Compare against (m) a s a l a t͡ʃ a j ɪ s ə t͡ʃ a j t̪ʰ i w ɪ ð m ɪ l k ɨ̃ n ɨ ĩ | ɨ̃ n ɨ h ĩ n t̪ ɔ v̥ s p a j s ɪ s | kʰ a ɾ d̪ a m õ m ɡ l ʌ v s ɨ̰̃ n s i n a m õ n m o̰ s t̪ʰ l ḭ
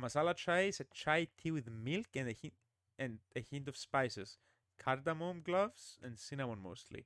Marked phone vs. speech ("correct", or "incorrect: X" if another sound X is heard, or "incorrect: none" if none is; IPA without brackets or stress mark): correct